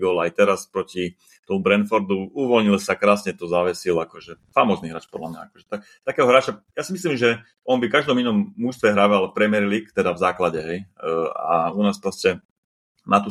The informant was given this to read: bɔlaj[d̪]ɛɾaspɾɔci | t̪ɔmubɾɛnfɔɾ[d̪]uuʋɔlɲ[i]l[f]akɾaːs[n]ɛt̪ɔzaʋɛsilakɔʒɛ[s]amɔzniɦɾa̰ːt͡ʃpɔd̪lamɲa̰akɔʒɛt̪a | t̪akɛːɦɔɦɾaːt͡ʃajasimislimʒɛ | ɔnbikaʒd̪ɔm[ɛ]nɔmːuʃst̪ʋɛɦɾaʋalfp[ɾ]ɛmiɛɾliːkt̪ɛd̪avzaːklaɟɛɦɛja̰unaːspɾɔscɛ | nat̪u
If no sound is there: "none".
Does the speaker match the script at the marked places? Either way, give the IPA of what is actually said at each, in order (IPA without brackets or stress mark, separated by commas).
t̪, d̪, i, s, ɲ, f, i, ɾ